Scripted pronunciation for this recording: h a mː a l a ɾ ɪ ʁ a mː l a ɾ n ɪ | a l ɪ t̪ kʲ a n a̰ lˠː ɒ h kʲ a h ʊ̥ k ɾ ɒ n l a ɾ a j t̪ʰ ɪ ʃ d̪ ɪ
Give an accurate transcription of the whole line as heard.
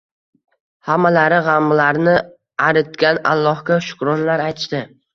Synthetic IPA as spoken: h a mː a l a ɾ ɪ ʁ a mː l a ɾ n ɪ | a ɾ ɪ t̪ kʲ a n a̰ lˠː ɒ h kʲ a ʃ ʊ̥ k ɾ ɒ n l a ɾ a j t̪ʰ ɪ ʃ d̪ ɪ